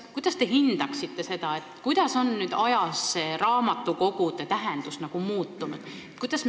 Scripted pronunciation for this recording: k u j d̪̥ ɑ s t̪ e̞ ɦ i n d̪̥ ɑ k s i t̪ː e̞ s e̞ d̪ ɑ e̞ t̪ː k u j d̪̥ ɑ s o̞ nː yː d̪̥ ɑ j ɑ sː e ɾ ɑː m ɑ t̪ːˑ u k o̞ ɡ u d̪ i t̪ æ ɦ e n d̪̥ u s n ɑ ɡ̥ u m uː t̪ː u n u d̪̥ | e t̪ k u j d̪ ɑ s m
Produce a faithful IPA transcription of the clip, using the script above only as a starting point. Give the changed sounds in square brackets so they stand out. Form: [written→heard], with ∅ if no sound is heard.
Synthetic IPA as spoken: k u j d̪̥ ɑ s t̪ e̞ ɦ i n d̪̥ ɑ k s i t̪ː e̞ s e̞ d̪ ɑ e̞ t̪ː k u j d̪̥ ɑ s o̞ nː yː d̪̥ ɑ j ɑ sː e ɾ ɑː m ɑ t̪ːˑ u k o̞ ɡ u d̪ [i→e] t̪ æ ɦ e n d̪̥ u s n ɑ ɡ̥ u m uː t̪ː u n u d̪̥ | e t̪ k u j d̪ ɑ s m